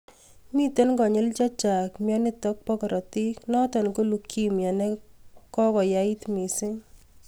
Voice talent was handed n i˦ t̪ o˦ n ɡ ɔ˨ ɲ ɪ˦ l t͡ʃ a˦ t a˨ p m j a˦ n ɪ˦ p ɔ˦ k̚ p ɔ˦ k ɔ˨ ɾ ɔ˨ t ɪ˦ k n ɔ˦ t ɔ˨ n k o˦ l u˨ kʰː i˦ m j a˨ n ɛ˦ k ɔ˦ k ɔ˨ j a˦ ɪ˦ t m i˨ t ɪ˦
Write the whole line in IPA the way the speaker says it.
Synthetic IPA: m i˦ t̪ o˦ n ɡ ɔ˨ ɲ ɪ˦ l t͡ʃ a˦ t͡ʃ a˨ k m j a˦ n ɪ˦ t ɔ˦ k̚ p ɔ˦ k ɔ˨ ɾ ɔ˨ t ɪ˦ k n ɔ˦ t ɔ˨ n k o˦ l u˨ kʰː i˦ m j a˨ n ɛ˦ k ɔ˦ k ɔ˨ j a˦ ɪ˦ t m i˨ s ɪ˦